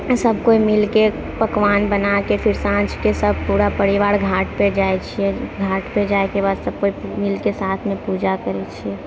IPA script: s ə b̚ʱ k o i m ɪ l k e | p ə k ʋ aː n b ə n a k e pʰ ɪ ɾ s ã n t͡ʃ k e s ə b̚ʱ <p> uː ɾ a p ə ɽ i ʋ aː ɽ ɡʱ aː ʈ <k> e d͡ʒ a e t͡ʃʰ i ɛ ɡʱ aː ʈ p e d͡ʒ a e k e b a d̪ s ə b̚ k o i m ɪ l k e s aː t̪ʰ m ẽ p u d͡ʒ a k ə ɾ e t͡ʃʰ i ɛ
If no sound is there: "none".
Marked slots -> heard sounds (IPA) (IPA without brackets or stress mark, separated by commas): p, p